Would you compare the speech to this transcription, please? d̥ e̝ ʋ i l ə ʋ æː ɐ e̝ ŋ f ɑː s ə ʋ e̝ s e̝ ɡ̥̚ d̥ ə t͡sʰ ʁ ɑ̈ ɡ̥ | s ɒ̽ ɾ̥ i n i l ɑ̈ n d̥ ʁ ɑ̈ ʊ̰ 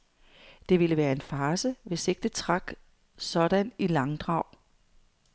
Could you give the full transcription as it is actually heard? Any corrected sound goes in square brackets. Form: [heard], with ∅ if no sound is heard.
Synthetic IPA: d̥ e̝ ʋ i l ə ʋ æː ɐ e̝ [n] f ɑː s ə ʋ e̝ s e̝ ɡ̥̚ d̥ ə t͡sʰ ʁ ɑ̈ ɡ̥ | s ɒ̽ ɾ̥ [æ] n i l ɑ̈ [ŋ] d̥ ʁ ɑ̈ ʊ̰